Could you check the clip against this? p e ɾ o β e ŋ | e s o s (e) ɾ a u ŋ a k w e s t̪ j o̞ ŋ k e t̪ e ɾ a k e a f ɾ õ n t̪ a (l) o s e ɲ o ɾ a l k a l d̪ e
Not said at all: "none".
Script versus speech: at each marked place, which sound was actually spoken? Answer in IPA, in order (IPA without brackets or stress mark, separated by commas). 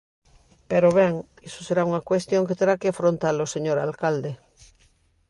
e, l